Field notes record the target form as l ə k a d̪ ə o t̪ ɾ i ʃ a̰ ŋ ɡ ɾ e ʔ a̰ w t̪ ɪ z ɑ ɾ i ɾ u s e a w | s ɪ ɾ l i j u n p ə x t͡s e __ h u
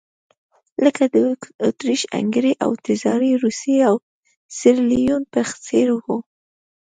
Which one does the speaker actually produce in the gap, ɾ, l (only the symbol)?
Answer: ɾ